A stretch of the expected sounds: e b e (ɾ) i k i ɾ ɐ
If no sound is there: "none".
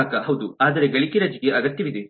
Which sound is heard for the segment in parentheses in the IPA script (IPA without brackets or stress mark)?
ɭ